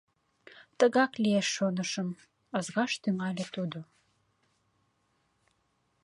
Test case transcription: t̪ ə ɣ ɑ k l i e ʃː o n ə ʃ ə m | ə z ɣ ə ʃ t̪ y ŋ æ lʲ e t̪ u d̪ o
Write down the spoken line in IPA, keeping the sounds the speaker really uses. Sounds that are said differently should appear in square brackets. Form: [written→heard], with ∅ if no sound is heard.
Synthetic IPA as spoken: t̪ ə ɣ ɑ k l i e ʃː o n ə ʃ ə m | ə z ɣ [ə→ɑ] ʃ t̪ y ŋ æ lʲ e t̪ u d̪ o